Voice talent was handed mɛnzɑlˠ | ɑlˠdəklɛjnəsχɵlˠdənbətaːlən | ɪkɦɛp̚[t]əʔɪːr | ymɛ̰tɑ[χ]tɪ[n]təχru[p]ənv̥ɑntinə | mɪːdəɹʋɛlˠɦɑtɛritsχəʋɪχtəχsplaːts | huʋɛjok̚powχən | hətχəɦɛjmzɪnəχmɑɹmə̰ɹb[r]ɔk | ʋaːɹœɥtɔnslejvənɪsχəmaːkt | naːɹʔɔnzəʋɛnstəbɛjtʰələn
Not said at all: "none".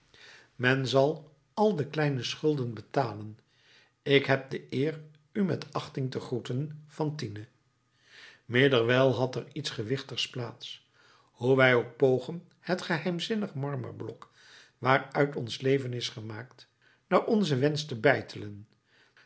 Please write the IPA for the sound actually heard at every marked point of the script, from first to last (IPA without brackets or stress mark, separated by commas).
d, χ, ŋ, t, l